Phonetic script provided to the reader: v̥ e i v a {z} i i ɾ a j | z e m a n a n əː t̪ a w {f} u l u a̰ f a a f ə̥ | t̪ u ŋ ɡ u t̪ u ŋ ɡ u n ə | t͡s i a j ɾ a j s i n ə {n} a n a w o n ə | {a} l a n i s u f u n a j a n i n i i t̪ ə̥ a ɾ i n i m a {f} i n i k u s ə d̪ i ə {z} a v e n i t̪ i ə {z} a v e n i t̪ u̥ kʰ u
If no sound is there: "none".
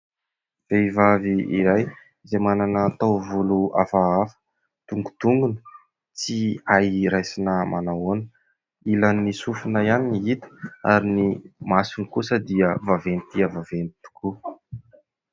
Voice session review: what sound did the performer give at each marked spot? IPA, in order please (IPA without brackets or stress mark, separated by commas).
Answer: v, v, m, i, s, v, v